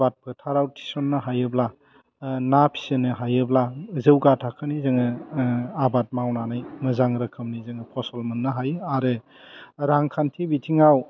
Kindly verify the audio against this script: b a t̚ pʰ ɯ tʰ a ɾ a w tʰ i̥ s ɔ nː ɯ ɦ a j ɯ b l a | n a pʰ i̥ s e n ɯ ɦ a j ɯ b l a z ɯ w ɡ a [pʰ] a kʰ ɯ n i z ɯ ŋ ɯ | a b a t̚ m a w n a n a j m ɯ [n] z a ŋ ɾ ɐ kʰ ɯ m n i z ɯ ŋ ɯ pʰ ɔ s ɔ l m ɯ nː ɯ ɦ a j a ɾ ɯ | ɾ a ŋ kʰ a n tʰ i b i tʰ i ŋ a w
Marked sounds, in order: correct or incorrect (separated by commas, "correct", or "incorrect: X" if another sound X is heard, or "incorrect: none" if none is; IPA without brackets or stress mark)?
incorrect: tʰ, incorrect: none